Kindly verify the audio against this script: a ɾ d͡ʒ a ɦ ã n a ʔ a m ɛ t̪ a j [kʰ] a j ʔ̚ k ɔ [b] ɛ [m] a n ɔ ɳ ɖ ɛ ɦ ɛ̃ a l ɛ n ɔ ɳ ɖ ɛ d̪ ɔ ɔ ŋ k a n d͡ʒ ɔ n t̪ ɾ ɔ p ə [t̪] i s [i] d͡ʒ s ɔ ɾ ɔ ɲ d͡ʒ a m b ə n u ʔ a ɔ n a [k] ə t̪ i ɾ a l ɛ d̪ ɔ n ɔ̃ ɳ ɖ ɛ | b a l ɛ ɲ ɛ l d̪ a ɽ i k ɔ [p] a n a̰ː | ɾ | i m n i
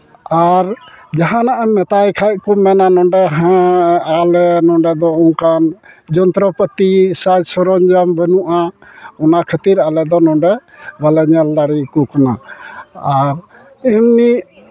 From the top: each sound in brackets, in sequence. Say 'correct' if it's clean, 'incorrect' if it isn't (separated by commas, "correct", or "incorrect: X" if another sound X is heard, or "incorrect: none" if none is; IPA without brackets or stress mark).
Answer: correct, incorrect: m, incorrect: n, correct, incorrect: a, incorrect: kʰ, incorrect: k